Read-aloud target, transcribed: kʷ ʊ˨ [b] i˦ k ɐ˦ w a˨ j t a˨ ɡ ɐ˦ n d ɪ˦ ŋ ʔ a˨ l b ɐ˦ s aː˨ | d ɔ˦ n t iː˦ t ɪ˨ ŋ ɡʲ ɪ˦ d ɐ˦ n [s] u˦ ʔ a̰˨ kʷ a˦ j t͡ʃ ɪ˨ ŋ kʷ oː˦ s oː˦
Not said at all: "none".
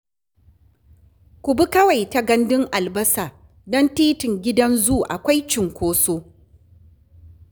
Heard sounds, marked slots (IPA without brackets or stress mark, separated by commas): b, z